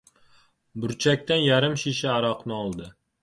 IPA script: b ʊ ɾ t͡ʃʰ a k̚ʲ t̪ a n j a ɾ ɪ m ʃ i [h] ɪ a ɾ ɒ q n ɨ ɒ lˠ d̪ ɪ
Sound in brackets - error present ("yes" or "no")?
yes